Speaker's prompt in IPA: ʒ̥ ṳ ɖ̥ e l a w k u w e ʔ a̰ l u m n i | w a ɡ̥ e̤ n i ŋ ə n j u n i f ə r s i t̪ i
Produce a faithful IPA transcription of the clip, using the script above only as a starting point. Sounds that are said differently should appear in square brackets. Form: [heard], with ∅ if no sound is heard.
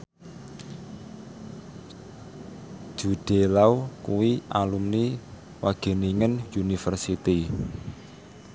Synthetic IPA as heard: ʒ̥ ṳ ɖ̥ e l a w k u w [i] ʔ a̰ l u m n i | w a ɡ̥ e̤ n i ŋ ə n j u n i f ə r s i t̪ i